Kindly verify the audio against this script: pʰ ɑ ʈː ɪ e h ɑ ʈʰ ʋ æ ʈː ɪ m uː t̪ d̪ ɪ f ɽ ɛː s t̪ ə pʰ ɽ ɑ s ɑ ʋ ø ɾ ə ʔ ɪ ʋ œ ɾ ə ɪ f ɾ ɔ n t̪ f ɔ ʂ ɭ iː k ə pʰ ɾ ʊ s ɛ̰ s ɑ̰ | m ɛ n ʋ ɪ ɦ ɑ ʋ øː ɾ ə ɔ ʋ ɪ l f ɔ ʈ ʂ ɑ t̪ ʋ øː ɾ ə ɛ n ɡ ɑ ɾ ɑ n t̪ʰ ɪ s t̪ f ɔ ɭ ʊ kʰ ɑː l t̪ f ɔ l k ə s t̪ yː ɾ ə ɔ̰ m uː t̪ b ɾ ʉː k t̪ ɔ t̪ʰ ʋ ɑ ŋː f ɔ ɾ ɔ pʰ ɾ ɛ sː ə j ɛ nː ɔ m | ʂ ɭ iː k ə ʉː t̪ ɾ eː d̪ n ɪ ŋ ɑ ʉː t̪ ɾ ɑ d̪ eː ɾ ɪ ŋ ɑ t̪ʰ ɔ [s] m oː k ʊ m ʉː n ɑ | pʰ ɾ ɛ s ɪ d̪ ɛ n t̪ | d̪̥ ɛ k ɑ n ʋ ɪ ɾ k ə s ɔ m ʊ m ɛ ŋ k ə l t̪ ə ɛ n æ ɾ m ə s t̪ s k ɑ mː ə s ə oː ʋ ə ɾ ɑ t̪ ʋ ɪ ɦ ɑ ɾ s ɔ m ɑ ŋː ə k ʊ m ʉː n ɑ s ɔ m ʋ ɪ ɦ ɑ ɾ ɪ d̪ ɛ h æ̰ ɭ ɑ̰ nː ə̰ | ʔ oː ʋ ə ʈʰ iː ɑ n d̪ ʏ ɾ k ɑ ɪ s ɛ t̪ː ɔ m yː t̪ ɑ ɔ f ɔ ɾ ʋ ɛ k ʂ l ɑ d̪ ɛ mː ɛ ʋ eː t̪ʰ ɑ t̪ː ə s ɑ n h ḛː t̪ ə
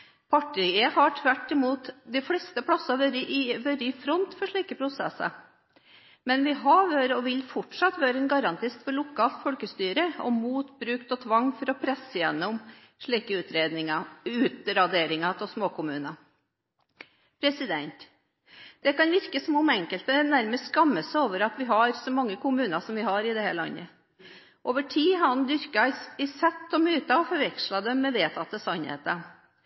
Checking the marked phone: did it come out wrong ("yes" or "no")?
no